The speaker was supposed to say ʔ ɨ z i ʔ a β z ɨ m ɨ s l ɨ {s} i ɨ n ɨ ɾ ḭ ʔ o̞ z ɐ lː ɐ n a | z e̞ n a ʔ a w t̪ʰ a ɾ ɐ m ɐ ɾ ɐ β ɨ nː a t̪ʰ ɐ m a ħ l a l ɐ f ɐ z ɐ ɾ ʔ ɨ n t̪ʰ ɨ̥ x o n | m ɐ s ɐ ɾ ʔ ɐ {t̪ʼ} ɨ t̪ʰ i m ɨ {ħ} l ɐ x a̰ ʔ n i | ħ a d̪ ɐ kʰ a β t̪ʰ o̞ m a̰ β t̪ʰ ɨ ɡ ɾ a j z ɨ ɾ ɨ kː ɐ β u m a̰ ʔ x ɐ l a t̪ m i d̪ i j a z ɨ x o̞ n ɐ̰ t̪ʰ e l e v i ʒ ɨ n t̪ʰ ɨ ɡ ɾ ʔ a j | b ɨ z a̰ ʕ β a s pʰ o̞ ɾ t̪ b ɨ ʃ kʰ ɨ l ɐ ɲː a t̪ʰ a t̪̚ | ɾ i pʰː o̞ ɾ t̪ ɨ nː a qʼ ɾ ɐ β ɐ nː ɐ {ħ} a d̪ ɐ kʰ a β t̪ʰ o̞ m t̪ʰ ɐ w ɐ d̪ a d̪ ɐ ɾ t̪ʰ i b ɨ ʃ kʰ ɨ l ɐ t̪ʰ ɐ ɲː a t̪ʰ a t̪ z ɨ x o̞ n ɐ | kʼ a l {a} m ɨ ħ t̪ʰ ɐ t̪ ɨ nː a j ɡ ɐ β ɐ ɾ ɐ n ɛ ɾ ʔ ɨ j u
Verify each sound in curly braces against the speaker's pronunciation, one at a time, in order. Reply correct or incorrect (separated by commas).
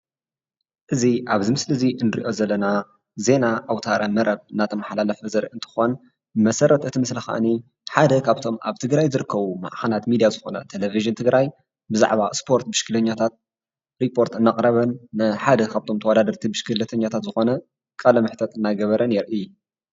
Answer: incorrect, incorrect, incorrect, correct, incorrect